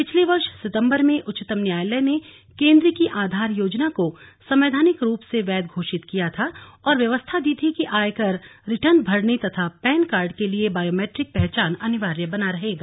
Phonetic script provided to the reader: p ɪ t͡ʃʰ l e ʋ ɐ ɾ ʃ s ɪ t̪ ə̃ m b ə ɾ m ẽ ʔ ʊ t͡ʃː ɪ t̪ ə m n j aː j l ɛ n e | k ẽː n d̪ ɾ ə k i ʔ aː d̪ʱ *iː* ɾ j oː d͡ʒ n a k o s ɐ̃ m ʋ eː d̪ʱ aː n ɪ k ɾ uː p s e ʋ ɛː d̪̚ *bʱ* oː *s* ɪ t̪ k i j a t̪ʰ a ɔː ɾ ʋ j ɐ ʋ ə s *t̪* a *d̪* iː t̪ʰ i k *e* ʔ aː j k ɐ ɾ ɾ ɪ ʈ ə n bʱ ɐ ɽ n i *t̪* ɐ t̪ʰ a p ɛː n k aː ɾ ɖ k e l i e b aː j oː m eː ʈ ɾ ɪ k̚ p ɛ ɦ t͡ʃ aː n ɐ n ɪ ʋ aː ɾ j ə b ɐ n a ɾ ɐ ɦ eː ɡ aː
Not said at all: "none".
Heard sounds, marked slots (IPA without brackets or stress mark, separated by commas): aː, ɡʱ, ʃ, t̪ʰ, d̪, i, t̪